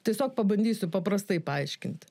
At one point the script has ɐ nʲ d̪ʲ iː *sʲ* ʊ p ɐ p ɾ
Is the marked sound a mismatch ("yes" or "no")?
no